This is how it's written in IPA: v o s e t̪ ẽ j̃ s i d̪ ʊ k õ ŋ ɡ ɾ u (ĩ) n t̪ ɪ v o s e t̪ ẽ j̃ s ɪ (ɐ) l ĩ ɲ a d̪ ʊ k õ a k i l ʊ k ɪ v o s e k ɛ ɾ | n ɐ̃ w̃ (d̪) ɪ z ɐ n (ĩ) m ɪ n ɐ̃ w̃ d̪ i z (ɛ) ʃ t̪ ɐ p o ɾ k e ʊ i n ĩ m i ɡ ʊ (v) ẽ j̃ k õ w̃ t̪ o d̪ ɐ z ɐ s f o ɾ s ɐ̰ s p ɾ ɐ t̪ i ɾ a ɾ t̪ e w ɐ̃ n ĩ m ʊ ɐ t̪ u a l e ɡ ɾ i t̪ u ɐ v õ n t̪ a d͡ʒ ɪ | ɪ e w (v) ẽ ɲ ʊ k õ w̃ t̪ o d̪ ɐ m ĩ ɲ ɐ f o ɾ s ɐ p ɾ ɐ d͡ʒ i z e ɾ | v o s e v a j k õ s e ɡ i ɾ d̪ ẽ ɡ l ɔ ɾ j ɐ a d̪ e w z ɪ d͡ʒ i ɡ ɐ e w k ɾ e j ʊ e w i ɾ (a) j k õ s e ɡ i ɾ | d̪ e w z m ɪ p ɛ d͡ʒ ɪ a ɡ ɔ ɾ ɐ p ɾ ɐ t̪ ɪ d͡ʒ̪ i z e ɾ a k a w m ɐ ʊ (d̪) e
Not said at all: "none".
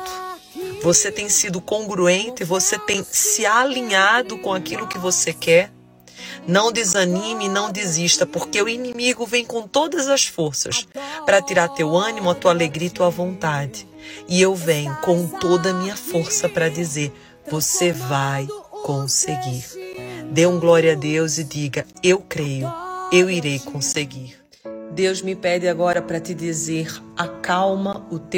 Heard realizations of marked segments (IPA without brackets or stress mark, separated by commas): ẽ, a, d̪, ĩ, i, v, v, e, t̪